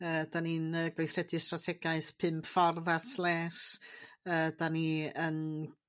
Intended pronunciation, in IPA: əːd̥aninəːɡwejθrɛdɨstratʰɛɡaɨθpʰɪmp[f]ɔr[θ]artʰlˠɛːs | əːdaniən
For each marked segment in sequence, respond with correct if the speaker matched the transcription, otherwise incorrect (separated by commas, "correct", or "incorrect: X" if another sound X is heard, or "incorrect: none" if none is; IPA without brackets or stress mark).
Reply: correct, incorrect: ð